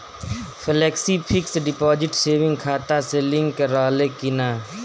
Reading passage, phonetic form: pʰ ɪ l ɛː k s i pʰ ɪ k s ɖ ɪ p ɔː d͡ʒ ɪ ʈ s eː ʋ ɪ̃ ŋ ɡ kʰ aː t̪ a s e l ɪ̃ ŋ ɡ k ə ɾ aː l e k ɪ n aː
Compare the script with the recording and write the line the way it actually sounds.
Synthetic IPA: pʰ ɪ l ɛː k s i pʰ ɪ k s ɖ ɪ p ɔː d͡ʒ ɪ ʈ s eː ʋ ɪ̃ ŋ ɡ kʰ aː t̪ a s e l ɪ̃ ŋ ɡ k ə ɾ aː l e k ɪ n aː